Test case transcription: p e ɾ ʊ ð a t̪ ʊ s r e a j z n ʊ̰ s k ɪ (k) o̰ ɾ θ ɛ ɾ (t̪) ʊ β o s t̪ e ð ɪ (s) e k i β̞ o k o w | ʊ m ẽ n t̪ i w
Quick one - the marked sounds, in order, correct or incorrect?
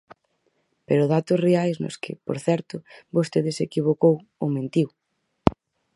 incorrect, correct, correct

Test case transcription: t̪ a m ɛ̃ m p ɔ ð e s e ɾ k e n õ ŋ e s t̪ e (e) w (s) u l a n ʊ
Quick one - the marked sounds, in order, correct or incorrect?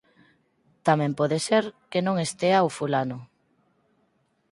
incorrect, incorrect

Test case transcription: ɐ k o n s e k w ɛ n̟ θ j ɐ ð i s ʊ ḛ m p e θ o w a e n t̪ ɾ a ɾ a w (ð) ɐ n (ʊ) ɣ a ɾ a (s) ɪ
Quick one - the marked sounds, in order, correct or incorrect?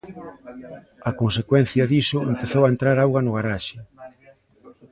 incorrect, correct, incorrect

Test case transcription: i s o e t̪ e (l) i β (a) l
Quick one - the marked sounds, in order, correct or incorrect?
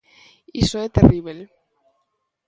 incorrect, incorrect

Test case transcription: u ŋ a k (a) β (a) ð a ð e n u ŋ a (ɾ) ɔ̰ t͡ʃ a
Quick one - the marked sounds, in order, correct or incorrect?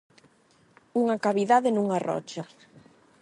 correct, incorrect, incorrect

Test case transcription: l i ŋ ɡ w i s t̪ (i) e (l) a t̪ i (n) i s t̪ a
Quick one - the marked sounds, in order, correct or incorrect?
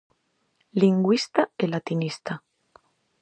incorrect, correct, correct

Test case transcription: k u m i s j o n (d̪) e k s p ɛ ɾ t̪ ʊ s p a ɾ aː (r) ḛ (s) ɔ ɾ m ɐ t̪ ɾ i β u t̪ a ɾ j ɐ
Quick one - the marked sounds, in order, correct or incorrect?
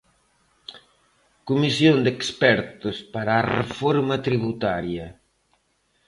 correct, correct, incorrect

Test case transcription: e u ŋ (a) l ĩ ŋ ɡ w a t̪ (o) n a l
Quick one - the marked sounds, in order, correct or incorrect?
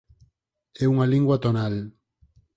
correct, correct

